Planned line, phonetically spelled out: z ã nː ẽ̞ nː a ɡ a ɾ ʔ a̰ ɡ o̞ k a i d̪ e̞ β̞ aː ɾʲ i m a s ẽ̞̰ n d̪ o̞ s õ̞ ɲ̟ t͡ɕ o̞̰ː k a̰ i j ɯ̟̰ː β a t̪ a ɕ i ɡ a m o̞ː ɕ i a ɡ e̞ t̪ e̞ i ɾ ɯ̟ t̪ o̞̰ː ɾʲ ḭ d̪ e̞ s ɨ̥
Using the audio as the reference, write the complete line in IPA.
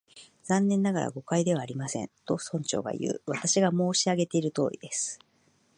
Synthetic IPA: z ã nː ẽ̞ nː a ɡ a ɾ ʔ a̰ ɡ o̞ k a i d̪ e̞ β̞ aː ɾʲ i m a s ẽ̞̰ n t̪ o̞ s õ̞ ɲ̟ t͡ɕ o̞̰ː ɡ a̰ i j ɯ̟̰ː β a t̪ a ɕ i ɡ a m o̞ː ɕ i a ɡ e̞ t̪ e̞ i ɾ ɯ̟ t̪ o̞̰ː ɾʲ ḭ d̪ e̞ s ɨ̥